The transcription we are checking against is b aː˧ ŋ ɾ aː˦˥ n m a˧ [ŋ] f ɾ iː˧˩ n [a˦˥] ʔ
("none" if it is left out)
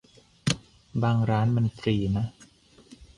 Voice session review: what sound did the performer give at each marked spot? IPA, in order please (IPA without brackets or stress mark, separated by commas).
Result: n, a˦˥